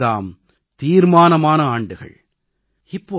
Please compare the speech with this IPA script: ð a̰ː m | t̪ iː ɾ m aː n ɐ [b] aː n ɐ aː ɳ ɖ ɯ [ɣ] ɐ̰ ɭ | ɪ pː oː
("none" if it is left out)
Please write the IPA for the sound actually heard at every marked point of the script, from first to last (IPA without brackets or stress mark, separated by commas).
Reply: m, ɣ